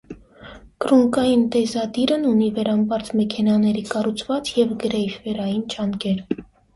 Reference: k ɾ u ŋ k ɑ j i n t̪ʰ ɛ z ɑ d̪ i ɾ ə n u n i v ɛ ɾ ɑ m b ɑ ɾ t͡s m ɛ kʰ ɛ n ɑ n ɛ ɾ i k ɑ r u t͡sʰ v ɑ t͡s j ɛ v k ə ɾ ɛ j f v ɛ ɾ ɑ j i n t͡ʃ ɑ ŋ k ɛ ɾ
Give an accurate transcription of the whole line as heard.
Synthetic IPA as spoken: k ɾ u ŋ k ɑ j i n t̪ ɛ z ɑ d̪ i ɾ ə n u n i v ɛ ɾ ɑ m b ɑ ɾ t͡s m ɛ kʰ ɛ n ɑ n ɛ ɾ i k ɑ r u t͡sʰ v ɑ t͡s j ɛ v ɡ ə ɾ ɛ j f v ɛ ɾ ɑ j i n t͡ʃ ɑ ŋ k ɛ ɾ